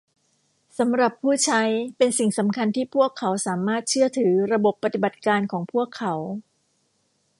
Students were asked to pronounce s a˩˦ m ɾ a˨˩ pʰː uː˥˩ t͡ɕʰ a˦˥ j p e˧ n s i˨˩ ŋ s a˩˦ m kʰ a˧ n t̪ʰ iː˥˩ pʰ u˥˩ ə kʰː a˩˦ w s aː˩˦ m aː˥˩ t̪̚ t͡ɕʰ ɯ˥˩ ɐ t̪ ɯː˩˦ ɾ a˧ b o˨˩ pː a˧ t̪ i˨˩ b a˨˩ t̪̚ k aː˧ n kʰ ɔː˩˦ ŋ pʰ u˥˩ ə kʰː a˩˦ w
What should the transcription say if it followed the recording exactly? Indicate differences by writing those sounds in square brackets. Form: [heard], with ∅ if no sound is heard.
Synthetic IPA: s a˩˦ m ɾ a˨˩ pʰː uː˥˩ t͡ɕʰ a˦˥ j p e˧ n s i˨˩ ŋ s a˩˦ m kʰ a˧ n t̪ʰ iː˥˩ pʰ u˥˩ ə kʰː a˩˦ w s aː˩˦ m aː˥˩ t̪̚ t͡ɕʰ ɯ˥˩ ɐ [t̪ʰ] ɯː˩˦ ɾ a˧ b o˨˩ pː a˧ t̪ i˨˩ b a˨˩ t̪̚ k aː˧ n kʰ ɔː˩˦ ŋ pʰ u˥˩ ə kʰː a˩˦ w